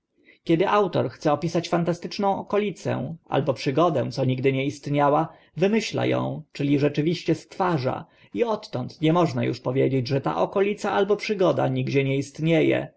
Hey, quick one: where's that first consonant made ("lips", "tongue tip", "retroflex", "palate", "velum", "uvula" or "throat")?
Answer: velum